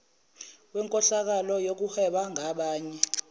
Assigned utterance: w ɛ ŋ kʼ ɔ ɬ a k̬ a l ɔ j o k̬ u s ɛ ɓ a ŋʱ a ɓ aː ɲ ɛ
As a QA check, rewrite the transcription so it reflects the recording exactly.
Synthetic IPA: w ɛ ŋ kʼ ɔ ɬ a k̬ a l ɔ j o k̬ u h ɛ ɓ a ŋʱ a ɓ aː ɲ ɛ